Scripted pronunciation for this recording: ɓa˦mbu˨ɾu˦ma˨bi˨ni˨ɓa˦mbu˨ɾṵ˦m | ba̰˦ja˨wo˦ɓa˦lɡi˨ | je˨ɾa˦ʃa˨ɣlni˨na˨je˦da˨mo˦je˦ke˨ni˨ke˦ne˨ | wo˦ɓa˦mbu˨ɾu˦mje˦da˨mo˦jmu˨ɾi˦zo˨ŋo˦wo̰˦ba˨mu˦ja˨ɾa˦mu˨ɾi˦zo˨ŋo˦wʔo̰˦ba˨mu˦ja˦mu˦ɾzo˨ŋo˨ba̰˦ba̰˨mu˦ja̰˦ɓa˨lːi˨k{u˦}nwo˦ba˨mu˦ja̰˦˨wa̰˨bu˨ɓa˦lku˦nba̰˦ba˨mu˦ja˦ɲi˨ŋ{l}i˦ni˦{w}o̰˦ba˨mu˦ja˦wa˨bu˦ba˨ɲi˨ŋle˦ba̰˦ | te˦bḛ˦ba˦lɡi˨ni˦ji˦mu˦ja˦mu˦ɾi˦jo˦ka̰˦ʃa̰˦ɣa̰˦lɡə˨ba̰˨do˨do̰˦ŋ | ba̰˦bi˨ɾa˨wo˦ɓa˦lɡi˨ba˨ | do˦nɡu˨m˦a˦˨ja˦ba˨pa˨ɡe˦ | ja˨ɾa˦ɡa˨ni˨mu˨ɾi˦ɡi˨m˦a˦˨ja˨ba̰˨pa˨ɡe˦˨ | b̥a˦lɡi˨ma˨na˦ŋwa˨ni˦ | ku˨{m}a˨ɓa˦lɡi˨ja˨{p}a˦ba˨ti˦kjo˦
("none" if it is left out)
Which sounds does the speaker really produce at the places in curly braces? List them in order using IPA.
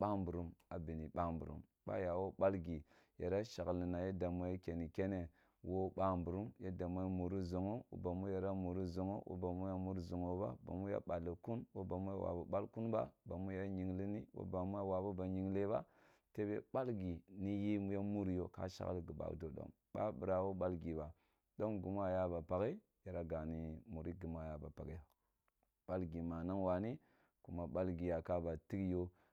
u˦, l, w, m, k

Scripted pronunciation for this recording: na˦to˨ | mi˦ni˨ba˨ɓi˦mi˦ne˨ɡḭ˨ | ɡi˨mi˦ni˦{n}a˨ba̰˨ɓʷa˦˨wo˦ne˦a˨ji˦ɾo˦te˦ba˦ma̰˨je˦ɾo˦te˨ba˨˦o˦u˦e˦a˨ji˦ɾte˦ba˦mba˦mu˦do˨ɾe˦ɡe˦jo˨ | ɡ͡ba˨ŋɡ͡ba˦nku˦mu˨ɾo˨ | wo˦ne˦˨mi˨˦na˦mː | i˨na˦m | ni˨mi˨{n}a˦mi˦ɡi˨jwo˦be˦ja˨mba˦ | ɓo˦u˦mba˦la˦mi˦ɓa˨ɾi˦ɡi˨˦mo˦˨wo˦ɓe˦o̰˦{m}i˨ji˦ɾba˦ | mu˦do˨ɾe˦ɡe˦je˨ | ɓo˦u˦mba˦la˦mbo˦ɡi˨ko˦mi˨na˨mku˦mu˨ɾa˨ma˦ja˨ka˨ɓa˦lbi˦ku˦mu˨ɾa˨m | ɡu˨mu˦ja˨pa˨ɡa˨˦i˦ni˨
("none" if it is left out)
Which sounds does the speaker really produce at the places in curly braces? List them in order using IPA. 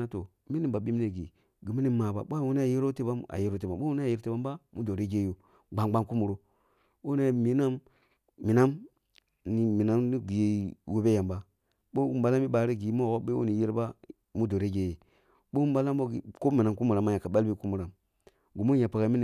m, n, n

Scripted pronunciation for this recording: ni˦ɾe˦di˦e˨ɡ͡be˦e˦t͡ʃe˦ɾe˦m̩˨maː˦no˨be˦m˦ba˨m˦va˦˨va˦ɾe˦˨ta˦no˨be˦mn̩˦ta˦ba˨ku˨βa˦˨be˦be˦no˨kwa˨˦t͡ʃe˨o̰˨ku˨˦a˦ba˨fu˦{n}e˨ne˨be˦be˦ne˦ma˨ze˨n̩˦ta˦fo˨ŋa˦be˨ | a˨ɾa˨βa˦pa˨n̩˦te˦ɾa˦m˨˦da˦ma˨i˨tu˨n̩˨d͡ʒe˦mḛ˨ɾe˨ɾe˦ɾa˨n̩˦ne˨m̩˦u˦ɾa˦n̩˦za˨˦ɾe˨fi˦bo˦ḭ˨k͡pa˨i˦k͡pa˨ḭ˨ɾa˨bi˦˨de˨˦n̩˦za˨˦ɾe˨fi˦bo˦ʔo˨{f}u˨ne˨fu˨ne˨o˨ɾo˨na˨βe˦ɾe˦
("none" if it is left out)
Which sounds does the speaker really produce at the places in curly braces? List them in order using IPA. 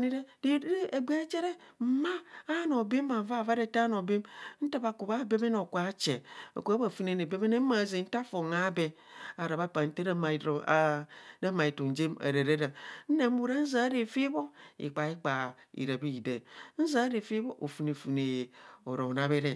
n, f

